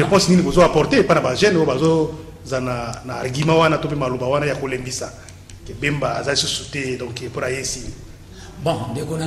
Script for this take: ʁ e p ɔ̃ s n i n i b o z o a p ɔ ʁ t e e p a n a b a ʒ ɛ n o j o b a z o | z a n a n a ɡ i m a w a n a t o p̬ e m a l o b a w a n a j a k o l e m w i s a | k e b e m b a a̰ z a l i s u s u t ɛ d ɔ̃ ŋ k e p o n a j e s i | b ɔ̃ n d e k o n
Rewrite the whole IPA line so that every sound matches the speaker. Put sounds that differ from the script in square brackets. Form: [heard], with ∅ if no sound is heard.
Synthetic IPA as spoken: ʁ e p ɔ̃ s n i n i b o z o a p ɔ ʁ t e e p a n a b a ʒ ɛ n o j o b a z o | z a n a n a ɡ i m a w a n a t o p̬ e m a l o b a w a n a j a k o l e m [b] i s a | k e b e m b a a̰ z a l i s u s u t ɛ d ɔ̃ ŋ k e p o n a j e s i | b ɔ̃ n d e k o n